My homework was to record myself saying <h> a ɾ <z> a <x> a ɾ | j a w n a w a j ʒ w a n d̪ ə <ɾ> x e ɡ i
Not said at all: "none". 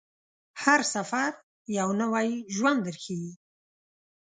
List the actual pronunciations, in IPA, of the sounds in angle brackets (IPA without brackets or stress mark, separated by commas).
h, s, f, ɾ